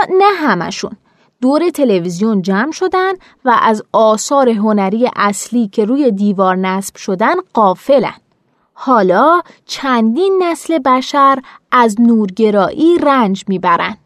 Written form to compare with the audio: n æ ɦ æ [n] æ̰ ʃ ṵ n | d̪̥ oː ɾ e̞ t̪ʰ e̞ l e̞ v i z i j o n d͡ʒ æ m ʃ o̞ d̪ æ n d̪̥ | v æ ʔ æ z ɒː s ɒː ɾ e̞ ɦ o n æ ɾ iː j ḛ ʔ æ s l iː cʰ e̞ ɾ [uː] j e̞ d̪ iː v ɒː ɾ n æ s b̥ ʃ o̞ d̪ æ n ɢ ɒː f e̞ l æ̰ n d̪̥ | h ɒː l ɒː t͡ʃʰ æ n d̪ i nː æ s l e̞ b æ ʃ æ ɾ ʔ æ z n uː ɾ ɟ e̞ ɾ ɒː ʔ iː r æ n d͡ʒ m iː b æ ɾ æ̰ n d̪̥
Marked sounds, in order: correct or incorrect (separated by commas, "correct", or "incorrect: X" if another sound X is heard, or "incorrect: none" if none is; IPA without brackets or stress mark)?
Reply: incorrect: m, correct